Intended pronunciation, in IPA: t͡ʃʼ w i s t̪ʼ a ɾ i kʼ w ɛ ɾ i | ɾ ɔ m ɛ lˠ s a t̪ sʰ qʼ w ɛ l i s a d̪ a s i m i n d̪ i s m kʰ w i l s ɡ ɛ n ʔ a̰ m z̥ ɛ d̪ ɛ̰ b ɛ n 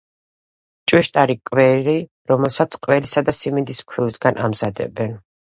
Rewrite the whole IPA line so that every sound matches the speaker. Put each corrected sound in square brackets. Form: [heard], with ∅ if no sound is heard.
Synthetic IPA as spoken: t͡ʃʼ w i [ʃ] t̪ʼ a ɾ i kʼ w ɛ ɾ i | ɾ ɔ m ɛ lˠ s a t̪ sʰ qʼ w ɛ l i s a d̪ a s i m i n d̪ i s m kʰ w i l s ɡ [a] n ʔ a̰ m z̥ [a] d̪ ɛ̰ b ɛ n